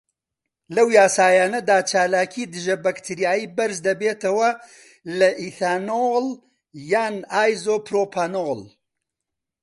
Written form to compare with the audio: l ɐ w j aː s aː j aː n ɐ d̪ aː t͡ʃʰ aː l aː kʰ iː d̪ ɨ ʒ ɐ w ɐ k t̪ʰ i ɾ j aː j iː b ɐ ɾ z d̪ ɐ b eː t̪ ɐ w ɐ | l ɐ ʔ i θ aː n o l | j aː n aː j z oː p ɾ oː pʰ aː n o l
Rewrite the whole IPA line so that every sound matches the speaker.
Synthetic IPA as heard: l ɐ w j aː s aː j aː n ɐ d̪ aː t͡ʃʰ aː l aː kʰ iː d̪ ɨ ʒ ɐ b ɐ k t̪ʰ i ɾ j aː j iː b ɐ ɾ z d̪ ɐ b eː t̪ ɐ w ɐ | l ɐ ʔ i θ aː n o l | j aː n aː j z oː p ɾ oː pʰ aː n o l